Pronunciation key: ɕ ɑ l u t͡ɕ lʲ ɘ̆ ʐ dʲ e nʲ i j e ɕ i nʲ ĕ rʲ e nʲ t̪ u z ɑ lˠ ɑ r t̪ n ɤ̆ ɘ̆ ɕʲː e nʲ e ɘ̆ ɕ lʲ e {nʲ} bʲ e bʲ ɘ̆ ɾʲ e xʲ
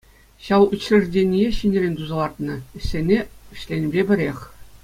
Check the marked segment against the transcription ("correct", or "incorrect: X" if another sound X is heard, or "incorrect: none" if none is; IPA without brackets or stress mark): correct